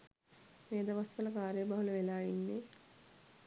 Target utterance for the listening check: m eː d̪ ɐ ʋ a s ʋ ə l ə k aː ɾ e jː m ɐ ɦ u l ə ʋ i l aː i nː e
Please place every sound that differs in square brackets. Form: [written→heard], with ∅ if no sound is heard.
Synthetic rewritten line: m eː d̪ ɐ ʋ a s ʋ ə l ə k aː ɾ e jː [m→b] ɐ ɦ u l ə ʋ [i→e] l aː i nː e

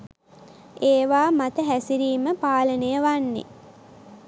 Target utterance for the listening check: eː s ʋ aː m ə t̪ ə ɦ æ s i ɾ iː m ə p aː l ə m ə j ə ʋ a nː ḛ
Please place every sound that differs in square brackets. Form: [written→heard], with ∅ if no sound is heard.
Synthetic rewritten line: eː [s→∅] ʋ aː m [ə→a] t̪ ə ɦ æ s i ɾ iː m ə p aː l ə [m→n] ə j ə ʋ a nː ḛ

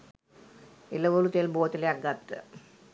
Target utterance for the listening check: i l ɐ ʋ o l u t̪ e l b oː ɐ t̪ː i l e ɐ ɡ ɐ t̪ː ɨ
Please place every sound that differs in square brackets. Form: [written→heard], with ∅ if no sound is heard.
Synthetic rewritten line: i l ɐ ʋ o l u t̪ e l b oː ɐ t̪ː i l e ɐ ɡ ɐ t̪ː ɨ

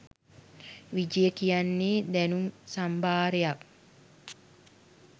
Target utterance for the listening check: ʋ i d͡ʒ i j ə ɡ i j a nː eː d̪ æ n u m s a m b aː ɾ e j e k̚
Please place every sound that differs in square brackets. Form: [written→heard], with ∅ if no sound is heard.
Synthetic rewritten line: ʋ i d͡ʒ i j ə [ɡ→k] i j a nː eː d̪ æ n u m s a m b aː ɾ e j [e→a] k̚

